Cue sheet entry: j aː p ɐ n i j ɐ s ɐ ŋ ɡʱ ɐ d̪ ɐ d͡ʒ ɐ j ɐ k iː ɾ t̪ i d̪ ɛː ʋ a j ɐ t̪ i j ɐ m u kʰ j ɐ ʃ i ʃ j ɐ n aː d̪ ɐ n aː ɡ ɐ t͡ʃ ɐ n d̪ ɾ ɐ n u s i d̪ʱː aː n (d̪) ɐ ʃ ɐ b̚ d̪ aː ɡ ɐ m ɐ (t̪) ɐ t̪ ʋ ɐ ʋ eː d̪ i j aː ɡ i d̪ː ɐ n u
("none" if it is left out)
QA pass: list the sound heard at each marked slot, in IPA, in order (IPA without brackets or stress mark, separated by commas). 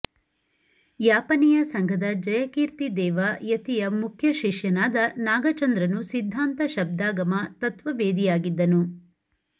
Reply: t̪, t̪